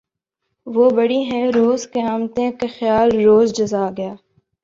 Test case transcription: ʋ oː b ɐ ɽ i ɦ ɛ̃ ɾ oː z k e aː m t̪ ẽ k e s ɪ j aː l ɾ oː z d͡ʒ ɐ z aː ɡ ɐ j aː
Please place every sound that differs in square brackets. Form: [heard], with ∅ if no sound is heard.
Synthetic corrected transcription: ʋ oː b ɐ ɽ i ɦ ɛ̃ ɾ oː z k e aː m t̪ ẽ k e [x] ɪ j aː l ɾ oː z d͡ʒ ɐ z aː ɡ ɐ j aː